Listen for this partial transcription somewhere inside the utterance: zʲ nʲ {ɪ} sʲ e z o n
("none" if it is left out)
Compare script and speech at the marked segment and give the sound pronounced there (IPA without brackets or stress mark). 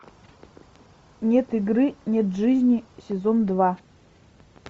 i